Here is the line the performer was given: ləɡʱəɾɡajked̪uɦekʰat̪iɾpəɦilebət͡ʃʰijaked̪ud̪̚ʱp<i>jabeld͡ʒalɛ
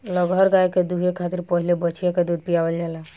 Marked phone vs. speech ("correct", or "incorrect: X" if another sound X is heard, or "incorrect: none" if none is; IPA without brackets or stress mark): correct